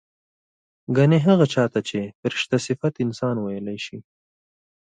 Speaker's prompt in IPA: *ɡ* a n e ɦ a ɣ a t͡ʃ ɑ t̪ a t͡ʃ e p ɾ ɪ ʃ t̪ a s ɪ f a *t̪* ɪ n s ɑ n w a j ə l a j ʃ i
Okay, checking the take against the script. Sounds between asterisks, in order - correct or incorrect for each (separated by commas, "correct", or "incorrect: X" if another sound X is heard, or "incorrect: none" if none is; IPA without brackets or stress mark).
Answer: correct, correct